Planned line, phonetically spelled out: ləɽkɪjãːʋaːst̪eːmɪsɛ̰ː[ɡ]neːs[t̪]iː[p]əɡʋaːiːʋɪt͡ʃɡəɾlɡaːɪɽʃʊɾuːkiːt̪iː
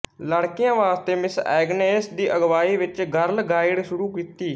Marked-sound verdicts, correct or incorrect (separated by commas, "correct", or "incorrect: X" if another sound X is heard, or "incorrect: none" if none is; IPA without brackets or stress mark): correct, incorrect: d̪, incorrect: ʔ